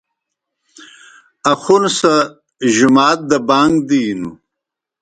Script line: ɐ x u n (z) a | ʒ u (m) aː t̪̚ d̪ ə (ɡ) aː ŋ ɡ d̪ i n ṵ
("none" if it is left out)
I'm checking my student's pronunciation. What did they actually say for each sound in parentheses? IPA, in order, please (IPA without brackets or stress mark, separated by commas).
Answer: s, m, b